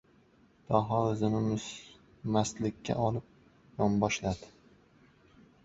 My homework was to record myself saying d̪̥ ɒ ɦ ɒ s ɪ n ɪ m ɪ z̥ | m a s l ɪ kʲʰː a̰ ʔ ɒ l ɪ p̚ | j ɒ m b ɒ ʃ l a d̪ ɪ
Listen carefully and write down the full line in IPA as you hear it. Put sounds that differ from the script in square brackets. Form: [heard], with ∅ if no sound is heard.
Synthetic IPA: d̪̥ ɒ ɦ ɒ [z] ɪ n ɪ m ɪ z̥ | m a s l ɪ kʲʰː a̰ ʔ ɒ l ɪ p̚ | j ɒ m b ɒ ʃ l a d̪ ɪ